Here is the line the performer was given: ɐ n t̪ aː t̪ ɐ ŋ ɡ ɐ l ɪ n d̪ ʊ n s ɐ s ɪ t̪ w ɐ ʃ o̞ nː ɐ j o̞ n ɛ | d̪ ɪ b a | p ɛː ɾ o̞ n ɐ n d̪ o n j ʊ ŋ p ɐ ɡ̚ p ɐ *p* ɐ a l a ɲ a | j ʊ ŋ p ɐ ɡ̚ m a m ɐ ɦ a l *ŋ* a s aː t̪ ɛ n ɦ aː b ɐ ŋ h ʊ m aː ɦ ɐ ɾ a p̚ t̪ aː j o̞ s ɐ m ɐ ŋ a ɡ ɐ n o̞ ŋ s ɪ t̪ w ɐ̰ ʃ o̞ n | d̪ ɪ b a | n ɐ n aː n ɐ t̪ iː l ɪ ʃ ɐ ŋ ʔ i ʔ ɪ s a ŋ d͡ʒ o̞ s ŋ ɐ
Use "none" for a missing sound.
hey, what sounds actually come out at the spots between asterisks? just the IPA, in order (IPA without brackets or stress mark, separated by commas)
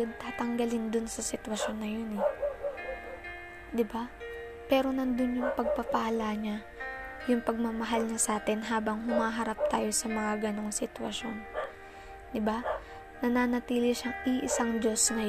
p, ɲ